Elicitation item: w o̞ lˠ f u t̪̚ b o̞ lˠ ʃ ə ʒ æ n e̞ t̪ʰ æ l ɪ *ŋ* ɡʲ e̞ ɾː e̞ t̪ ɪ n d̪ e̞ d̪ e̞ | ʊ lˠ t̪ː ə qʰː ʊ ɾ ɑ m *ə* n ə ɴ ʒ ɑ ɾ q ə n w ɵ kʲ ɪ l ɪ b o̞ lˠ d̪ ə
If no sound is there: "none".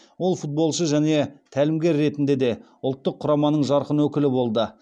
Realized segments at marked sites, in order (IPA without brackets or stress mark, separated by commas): m, ɑ